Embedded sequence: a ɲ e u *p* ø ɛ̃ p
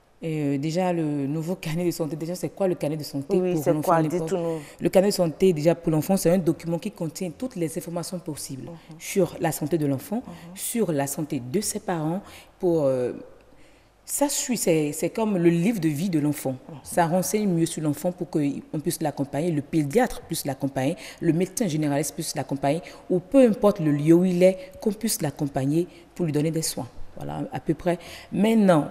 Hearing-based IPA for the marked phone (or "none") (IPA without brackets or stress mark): p